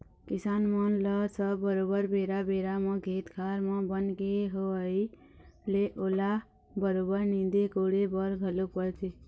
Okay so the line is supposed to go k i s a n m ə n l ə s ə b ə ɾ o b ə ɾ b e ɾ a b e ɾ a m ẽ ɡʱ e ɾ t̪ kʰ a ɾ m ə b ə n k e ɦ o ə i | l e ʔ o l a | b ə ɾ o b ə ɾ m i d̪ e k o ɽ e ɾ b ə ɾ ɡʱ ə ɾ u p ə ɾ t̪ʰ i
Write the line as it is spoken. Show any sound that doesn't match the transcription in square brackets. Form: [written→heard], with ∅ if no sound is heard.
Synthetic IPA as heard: k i s a n m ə n l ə s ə b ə ɾ o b ə ɾ b e ɾ a b e ɾ a m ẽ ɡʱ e [ɾ→∅] t̪ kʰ a ɾ m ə b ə n k e ɦ o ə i | l e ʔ o l a | b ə ɾ o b ə ɾ [m→n] i d̪ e k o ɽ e [ɾ→∅] b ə ɾ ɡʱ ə [ɾ→l] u p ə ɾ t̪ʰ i